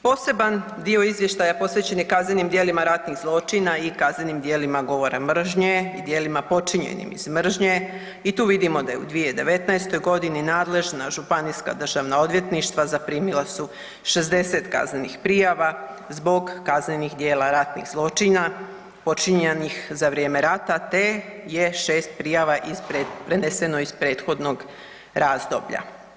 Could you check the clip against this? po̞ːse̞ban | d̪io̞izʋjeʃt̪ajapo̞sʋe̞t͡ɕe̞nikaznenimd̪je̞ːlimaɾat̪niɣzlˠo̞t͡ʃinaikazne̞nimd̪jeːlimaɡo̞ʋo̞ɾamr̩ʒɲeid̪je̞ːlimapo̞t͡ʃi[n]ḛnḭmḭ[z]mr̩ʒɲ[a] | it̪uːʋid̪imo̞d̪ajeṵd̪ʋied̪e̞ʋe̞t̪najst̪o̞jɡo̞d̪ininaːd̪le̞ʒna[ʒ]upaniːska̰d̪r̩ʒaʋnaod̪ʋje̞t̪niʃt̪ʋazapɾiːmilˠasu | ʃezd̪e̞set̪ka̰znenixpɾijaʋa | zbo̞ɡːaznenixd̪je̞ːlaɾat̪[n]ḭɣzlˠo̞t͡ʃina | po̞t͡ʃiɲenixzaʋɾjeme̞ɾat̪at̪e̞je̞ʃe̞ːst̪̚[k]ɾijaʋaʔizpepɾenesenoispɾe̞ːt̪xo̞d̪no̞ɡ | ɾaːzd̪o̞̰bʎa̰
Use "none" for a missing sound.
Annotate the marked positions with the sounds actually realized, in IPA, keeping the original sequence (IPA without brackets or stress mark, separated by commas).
ɲ, z, e, ʒ, n, p